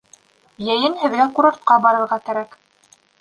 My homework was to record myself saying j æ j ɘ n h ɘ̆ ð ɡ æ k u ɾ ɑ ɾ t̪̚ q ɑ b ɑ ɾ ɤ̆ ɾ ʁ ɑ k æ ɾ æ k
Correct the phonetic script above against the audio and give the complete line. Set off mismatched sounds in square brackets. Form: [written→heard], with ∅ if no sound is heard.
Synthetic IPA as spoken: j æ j ɘ n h ɘ̆ ð ɡ æ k u ɾ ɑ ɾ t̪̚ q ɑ b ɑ ɾ ɤ̆ ɾ ʁ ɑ k æ ɾ æ k